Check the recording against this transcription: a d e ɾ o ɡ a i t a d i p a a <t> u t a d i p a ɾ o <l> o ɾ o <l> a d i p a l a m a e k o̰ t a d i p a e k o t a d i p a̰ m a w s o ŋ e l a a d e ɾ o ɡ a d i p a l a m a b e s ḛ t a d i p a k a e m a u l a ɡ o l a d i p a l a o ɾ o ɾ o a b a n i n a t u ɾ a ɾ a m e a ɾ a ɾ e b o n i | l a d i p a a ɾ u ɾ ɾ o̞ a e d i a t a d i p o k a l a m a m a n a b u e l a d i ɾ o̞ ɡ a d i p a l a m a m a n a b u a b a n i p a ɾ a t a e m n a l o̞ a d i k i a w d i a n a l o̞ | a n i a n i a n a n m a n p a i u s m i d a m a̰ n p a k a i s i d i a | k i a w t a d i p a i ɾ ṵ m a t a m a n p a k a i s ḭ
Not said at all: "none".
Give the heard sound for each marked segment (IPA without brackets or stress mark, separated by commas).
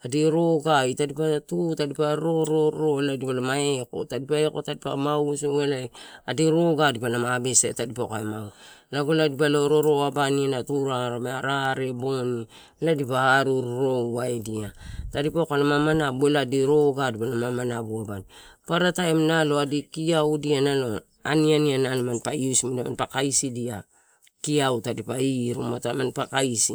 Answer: t, ɾ, l